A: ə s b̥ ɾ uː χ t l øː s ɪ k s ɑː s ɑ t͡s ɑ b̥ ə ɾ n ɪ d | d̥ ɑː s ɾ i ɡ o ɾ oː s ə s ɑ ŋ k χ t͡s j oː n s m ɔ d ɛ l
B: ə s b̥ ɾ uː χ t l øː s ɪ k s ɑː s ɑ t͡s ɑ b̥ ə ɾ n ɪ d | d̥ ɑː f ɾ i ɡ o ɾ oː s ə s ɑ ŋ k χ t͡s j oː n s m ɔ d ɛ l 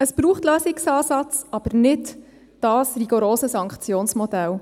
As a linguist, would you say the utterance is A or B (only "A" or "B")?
A